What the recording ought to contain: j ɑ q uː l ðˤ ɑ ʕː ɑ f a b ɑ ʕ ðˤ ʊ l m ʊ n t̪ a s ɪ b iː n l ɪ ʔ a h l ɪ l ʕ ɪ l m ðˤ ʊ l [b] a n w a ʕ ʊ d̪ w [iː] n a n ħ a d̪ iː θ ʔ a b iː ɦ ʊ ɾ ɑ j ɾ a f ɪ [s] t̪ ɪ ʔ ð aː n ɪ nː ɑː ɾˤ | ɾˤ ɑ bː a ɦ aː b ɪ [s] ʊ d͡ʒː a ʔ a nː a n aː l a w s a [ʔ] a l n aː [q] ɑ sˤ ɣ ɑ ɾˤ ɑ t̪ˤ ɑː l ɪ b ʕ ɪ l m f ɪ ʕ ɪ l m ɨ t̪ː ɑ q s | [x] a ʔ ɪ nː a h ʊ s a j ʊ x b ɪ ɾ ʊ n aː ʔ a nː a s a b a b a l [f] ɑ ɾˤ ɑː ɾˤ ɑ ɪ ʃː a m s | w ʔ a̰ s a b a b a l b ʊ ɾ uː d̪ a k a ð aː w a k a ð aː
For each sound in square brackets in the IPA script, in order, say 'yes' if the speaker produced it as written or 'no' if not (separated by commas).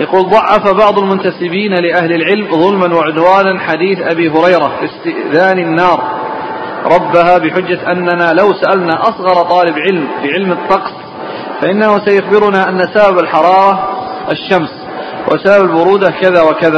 no, no, yes, no, yes, no, no, no